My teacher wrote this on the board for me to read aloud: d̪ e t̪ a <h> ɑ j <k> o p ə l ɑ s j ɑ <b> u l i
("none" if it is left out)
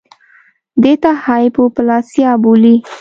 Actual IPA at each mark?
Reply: h, p, b

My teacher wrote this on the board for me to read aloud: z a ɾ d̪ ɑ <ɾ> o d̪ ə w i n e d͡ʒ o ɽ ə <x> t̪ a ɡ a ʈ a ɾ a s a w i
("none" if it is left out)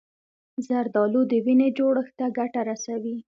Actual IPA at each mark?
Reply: l, x

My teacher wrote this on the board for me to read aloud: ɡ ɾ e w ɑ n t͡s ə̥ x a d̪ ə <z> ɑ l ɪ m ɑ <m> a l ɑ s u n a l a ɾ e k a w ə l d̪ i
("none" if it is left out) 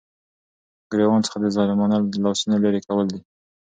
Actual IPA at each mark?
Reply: z, n

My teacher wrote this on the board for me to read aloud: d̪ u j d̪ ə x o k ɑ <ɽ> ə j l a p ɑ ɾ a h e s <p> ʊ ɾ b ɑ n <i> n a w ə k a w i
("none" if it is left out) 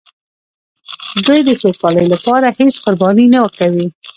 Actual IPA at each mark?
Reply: l, q, i

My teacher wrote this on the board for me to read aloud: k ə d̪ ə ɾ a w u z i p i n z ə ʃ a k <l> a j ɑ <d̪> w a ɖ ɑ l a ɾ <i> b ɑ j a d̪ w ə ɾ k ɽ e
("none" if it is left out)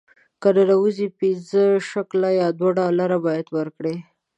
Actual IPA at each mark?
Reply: l, d̪, a

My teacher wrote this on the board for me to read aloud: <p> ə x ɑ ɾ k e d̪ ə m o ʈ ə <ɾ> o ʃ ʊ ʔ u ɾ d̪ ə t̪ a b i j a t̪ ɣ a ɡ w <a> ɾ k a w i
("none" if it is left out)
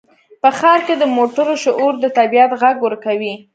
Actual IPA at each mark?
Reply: p, ɾ, ə

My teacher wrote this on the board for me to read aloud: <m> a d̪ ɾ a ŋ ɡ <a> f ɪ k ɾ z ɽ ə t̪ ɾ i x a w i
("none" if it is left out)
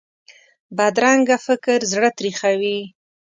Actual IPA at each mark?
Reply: b, a

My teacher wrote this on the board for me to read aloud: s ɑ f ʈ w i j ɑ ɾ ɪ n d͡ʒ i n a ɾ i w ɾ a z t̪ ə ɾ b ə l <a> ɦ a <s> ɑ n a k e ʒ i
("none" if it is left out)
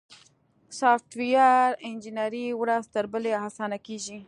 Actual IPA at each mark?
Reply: e, s

